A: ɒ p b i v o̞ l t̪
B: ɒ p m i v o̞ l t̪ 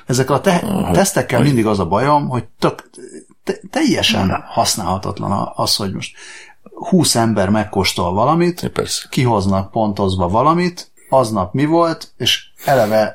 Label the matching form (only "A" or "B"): B